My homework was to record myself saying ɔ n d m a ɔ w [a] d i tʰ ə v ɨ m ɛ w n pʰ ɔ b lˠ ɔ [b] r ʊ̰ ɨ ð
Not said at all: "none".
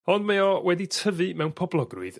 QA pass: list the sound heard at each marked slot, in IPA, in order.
ɛ, ɡ

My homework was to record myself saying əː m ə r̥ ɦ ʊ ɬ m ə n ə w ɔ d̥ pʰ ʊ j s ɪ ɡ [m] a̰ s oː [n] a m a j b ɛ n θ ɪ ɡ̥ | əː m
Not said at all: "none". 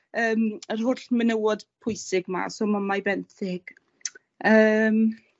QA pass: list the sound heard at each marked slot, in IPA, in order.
m, m

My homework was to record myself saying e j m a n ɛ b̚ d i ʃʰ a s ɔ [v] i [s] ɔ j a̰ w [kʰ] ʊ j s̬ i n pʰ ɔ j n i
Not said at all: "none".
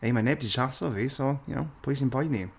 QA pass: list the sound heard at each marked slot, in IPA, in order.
v, s, pʰ

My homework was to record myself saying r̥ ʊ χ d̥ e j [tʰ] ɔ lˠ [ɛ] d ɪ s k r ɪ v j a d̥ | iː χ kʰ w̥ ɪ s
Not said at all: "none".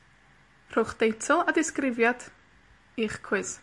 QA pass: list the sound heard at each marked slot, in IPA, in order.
tʰ, a

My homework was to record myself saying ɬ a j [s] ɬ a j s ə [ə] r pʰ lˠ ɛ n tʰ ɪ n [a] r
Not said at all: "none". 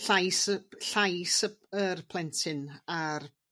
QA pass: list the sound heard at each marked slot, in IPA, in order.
s, ə, a

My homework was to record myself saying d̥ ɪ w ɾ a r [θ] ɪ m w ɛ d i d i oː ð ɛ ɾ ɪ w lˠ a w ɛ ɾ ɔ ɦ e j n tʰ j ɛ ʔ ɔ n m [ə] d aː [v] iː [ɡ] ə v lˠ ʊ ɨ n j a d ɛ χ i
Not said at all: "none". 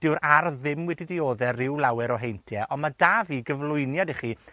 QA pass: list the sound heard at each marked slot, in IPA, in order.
ð, a, v, ɡ

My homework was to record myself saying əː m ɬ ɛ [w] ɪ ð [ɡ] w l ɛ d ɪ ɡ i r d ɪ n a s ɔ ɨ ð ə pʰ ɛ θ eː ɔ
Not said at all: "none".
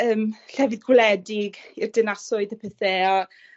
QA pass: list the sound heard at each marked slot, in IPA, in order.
v, ɡ

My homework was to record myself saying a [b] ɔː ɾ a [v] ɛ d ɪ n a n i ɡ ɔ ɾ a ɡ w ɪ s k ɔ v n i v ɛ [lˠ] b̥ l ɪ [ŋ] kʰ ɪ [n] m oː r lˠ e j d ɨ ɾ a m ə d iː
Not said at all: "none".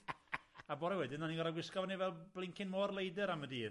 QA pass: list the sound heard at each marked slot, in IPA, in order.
b, w, lˠ, ŋ, n

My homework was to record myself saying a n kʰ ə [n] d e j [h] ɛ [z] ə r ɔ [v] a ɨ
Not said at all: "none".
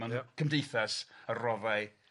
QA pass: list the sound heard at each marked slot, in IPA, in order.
m, θ, s, v

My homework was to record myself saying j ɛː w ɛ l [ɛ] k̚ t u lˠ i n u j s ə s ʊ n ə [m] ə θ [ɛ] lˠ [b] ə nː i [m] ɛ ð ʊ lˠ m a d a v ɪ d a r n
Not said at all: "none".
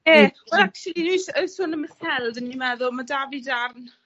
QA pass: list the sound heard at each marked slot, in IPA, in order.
a, m, ɛ, d, m

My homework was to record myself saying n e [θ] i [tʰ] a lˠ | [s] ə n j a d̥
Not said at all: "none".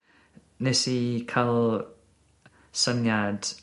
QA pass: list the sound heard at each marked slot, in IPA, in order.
s, kʰ, s

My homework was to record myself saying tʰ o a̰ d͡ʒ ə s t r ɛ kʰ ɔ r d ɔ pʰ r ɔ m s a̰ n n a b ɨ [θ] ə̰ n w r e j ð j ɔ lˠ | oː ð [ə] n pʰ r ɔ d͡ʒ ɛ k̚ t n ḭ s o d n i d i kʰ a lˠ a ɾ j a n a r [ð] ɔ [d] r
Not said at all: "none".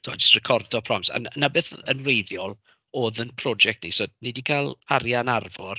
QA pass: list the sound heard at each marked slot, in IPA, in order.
θ, ə, v, none

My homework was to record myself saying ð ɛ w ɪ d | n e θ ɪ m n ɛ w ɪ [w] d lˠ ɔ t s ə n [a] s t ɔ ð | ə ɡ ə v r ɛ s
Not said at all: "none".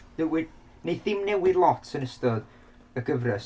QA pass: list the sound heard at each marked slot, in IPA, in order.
none, ə

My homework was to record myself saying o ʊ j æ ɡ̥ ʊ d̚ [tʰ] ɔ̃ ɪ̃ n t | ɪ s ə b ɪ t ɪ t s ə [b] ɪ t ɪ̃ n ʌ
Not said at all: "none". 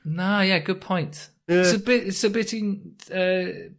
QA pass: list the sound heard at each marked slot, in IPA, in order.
pʰ, b

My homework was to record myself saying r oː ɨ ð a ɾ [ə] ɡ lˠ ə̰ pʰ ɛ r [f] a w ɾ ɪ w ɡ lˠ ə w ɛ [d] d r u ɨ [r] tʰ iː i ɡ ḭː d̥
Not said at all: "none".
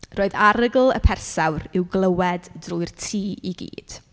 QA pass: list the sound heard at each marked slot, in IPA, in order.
ə, s, d, r

